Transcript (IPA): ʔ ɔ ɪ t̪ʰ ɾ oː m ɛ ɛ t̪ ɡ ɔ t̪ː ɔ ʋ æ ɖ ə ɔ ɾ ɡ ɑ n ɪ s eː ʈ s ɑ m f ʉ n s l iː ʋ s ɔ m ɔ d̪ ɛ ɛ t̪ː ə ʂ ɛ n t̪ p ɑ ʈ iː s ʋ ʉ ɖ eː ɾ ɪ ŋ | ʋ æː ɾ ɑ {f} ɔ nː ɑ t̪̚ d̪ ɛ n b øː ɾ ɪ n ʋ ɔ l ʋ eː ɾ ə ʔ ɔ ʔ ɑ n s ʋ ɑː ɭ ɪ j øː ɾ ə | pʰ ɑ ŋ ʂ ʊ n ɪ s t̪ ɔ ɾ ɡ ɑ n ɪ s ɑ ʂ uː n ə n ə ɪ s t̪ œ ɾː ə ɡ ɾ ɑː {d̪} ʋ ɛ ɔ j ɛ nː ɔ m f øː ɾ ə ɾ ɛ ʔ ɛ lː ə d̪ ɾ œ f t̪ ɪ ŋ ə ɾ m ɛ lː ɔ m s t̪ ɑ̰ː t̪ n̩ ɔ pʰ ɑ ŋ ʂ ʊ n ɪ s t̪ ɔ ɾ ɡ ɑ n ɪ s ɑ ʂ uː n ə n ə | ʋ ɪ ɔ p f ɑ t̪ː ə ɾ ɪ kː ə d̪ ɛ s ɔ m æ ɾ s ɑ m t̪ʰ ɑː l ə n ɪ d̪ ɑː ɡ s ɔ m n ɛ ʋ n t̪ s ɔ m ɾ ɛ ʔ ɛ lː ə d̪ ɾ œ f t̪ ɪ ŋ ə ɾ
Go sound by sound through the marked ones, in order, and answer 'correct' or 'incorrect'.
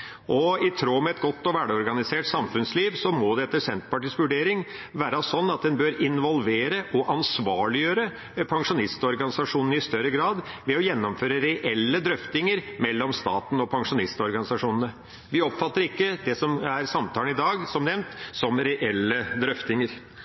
incorrect, correct

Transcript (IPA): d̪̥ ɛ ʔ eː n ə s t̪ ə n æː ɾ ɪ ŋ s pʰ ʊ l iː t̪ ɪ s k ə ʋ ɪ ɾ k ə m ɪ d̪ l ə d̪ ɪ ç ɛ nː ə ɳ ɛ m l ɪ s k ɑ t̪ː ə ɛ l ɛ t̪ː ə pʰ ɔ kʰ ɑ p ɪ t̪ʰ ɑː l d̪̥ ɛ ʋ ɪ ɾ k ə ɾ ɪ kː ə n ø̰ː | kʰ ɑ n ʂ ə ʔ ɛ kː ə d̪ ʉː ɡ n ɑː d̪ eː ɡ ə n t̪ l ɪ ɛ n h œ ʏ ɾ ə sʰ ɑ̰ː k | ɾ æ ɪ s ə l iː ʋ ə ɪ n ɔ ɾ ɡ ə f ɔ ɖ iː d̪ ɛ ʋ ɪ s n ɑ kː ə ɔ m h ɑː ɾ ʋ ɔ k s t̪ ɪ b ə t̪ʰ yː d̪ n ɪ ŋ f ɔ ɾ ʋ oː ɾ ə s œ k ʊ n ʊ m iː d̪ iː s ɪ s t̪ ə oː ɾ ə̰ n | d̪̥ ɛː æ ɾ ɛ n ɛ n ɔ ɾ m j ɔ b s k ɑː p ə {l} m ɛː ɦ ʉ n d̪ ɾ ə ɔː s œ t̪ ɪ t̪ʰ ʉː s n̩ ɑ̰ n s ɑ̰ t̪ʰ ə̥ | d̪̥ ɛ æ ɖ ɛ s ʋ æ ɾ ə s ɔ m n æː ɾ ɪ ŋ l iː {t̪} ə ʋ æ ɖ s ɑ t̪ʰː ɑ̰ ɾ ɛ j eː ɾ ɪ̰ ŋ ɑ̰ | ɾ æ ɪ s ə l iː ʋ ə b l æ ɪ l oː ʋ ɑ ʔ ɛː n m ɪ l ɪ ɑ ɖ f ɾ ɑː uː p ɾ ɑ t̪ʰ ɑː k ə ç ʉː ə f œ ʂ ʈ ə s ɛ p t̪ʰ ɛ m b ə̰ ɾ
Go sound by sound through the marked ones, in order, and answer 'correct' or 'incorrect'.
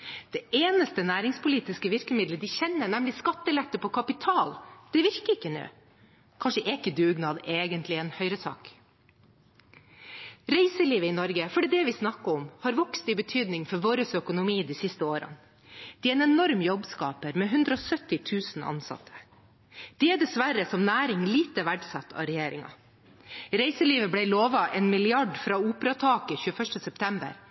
incorrect, correct

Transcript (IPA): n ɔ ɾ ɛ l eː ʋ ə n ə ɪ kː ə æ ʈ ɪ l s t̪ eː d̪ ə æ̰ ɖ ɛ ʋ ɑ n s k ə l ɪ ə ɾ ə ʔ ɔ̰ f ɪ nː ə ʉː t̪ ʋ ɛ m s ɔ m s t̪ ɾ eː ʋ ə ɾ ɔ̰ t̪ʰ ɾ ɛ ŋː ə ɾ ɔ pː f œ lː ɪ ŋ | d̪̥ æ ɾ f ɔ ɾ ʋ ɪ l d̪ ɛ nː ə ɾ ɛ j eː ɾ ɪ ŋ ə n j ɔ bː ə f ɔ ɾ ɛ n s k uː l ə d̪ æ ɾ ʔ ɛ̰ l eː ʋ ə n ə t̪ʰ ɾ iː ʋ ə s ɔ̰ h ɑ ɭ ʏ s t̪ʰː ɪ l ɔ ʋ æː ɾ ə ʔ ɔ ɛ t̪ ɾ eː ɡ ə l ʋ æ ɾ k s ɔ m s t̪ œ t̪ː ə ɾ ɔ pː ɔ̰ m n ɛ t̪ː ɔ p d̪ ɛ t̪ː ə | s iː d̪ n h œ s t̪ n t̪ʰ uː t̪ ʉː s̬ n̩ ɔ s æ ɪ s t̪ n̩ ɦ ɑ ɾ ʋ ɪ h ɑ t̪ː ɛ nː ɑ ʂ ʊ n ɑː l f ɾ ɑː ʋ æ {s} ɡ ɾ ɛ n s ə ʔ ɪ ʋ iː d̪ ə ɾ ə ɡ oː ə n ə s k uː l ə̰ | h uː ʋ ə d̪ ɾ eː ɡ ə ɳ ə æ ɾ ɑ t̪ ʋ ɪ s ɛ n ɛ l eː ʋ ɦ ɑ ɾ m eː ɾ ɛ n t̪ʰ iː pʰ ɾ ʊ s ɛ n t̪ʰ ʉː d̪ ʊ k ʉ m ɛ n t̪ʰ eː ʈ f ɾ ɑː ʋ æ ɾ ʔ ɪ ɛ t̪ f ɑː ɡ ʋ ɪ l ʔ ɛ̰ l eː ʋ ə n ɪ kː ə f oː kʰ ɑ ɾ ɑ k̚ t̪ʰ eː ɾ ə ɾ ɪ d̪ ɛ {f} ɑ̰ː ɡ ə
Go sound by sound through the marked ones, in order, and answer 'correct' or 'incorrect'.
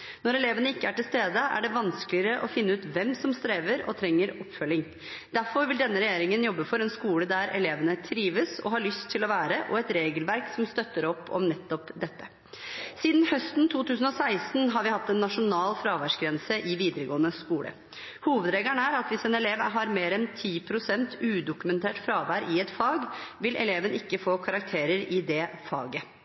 incorrect, correct

